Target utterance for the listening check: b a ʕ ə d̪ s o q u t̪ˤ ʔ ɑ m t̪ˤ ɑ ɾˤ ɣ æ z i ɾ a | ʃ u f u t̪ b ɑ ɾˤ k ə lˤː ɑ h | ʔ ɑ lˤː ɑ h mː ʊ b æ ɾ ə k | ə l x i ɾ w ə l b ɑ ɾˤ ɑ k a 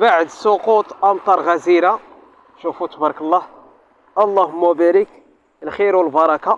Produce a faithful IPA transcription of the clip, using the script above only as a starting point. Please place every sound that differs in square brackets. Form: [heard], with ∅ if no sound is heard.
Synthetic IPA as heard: b a ʕ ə d̪ s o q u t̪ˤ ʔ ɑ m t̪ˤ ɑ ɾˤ ɣ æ z i ɾ a | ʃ u f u t̪ b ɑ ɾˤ k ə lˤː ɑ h | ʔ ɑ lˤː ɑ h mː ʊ b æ ɾ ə k | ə l x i ɾ w ə l b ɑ ɾˤ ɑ k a